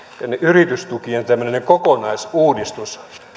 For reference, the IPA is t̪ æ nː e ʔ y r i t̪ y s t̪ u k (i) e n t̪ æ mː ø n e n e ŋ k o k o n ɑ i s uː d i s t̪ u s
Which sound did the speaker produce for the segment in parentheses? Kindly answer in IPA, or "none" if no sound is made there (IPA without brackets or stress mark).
i